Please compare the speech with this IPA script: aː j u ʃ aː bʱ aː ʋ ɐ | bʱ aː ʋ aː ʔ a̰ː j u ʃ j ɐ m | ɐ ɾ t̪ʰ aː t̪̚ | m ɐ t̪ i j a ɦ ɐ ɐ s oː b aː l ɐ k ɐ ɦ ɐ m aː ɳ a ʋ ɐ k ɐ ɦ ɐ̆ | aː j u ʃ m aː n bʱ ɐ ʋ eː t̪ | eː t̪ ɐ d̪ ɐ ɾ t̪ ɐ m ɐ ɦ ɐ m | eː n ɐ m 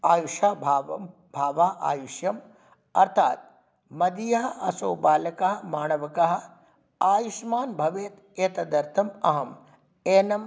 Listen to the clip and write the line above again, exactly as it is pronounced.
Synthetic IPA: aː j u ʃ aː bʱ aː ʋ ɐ | bʱ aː ʋ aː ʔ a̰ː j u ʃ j ɐ m | ɐ ɾ t̪ʰ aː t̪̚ | m ɐ d̪ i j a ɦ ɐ ɐ s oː b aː l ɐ k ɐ ɦ ɐ m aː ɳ ɐ ʋ ɐ k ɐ ɦ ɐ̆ | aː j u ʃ m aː n bʱ ɐ ʋ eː t̪ | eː t̪ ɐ d̪ ɐ ɾ t̪ʰ ɐ m ɐ ɦ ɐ m | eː n ɐ m

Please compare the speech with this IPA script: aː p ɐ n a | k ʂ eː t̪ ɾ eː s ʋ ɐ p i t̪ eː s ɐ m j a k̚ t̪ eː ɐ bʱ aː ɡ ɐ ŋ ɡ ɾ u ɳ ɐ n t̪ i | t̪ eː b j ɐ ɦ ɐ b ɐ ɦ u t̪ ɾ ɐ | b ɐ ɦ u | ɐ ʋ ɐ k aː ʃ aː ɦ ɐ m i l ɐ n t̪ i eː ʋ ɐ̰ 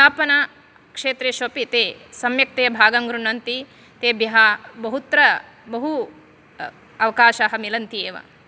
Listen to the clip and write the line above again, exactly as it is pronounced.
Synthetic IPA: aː p ɐ n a | k ʂ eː t̪ ɾ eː ʃ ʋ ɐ p i t̪ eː s ɐ m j ɐ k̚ t̪ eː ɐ bʱ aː ɡ ɐ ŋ ɡ ɾ u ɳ ɐ n t̪ i | t̪ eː b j ɐ ɦ ɐ b ɐ ɦ u t̪ ɾ ɐ | b ɐ ɦ u | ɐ ʋ ɐ k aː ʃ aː ɦ ɐ m i l ɐ n t̪ i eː ʋ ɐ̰

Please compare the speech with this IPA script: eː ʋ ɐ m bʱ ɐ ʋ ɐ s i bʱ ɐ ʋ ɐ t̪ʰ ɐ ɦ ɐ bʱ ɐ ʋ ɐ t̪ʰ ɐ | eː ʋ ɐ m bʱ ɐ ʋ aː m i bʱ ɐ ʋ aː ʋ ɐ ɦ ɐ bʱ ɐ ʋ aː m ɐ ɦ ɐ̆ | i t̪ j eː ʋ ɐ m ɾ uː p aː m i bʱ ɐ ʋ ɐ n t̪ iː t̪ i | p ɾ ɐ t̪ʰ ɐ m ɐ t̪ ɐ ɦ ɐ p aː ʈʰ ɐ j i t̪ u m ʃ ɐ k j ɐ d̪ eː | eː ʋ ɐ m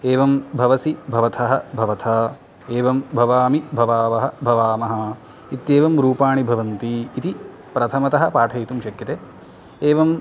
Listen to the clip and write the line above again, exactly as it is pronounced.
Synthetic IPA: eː ʋ ɐ m bʱ ɐ ʋ ɐ s i bʱ ɐ ʋ ɐ t̪ʰ ɐ ɦ ɐ bʱ ɐ ʋ ɐ t̪ʰ ɐ | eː ʋ ɐ m bʱ ɐ ʋ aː m i bʱ ɐ ʋ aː ʋ ɐ ɦ ɐ bʱ ɐ ʋ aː m ɐ ɦ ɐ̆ | i t̪ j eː ʋ ɐ m ɾ uː p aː ɳ i bʱ ɐ ʋ ɐ n t̪ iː t̪ i | p ɾ ɐ t̪ʰ ɐ m ɐ t̪ ɐ ɦ ɐ p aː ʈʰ ɐ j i t̪ u m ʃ ɐ k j ɐ t̪ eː | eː ʋ ɐ m

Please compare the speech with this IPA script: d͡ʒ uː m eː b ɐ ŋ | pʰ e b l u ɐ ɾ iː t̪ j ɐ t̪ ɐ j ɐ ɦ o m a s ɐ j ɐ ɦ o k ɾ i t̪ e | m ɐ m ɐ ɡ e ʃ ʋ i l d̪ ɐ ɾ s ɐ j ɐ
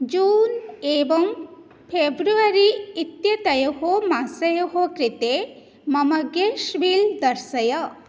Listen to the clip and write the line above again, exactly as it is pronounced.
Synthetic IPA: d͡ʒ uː n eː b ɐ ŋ | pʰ e b ɾ u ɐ ɾ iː t̪ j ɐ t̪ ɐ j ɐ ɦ o m a s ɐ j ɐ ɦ o k ɾ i t̪ e | m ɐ m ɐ ɡ e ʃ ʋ i l d̪ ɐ ɾ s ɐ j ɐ

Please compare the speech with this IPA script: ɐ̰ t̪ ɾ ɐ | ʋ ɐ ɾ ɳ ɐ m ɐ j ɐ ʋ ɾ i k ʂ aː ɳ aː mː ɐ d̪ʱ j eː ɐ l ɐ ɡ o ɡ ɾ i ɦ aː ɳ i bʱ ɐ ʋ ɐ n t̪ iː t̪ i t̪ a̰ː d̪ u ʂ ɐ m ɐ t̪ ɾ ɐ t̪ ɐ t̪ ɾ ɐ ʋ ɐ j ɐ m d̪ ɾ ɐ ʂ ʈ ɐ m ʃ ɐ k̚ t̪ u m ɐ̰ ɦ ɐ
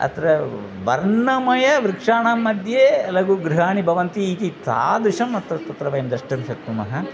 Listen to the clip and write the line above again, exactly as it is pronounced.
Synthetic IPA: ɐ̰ t̪ ɾ ɐ | ʋ ɐ ɾ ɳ ɐ m ɐ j ɐ ʋ ɾ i k ʂ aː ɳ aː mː ɐ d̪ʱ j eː ɐ l ɐ ɡ u ɡ ɾ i ɦ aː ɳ i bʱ ɐ ʋ ɐ n t̪ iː t̪ i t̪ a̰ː d̪ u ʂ ɐ m ɐ t̪ ɾ ɐ t̪ ɐ t̪ ɾ ɐ ʋ ɐ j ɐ m d̪ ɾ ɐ ʂ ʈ ɐ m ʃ ɐ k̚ t̪ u m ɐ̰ ɦ ɐ

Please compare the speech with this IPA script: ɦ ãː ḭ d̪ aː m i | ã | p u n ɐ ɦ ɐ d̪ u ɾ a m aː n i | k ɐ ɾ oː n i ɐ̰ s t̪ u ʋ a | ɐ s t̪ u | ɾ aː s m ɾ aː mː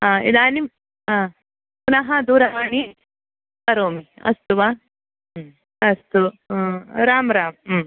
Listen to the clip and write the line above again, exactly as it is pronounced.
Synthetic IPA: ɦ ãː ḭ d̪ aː n i | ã | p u n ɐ ɦ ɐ d̪ u ɾ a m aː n i | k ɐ ɾ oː m i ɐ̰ s t̪ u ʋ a | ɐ s t̪ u | ɾ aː m ɾ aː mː

